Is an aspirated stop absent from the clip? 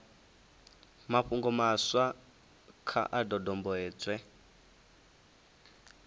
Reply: no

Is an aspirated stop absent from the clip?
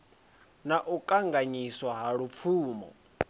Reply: yes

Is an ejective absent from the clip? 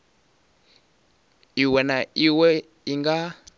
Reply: yes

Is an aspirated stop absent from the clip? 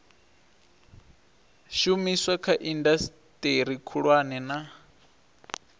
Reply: no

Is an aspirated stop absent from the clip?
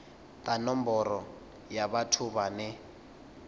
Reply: no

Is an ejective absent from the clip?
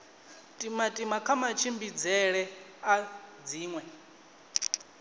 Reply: no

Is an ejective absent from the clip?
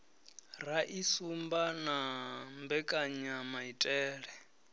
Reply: no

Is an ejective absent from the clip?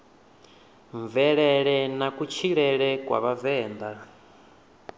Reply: yes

